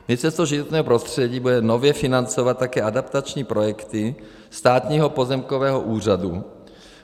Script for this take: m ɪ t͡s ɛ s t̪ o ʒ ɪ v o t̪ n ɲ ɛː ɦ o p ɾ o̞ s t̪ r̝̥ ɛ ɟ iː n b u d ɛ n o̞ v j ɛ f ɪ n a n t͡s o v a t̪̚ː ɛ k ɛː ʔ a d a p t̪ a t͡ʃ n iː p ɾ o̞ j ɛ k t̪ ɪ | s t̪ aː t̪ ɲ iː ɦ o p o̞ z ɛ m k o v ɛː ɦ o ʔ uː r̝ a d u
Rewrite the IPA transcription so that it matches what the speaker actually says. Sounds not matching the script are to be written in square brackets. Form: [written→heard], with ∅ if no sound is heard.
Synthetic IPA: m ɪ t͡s ɛ s t̪ o ʒ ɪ v o t̪ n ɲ ɛː ɦ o p ɾ o̞ s t̪ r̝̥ ɛ ɟ iː [n→∅] b u d ɛ n o̞ v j ɛ f ɪ n a n t͡s o v a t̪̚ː [ɛ→a] k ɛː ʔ a d a p t̪ a t͡ʃ [n→ɲ] iː p ɾ o̞ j ɛ k t̪ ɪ | s t̪ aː t̪ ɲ iː ɦ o p o̞ z ɛ m k o v ɛː ɦ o ʔ uː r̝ a d u